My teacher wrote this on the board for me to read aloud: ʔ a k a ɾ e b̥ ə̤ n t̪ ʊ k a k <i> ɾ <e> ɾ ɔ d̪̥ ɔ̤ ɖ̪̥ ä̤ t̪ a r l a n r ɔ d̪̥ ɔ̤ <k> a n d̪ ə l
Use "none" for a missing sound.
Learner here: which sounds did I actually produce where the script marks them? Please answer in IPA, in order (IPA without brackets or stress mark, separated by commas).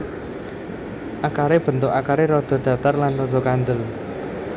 a, e, k